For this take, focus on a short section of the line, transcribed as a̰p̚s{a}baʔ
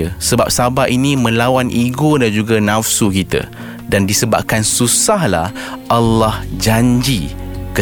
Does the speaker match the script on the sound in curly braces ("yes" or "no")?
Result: yes